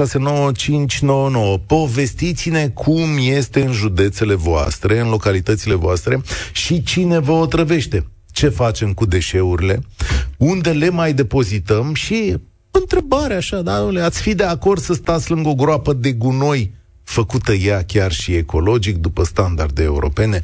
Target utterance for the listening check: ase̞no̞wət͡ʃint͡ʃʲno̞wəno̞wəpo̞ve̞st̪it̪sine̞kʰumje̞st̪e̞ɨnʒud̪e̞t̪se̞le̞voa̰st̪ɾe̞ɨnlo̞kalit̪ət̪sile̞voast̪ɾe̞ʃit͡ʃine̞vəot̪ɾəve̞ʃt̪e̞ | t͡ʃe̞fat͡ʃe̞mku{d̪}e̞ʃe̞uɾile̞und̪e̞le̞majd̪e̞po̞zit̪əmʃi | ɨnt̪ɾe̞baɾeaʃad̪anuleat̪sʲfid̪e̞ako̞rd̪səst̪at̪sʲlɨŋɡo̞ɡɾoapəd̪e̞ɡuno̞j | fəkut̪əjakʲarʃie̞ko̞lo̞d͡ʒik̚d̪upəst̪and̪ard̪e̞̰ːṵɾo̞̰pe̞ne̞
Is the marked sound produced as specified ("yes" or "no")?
yes